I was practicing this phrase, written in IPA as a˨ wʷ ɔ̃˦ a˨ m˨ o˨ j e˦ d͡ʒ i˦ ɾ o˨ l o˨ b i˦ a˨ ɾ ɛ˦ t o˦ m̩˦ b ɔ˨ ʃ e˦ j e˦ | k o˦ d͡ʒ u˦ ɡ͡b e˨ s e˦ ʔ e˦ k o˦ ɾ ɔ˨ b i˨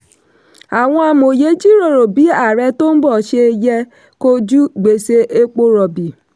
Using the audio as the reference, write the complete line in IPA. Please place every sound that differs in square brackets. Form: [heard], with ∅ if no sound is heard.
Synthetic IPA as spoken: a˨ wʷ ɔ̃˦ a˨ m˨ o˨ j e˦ d͡ʒ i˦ ɾ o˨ [ɾ] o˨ b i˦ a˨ ɾ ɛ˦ t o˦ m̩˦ b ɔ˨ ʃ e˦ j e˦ | k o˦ d͡ʒ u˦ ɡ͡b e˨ s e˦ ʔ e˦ [k͡p] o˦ ɾ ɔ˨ b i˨